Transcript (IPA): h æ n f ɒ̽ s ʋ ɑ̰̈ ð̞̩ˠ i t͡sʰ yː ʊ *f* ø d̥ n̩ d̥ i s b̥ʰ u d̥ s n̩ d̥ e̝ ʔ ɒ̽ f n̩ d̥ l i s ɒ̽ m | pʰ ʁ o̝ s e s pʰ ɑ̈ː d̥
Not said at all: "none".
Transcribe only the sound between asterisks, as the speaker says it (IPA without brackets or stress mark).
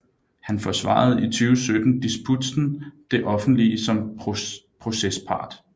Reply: s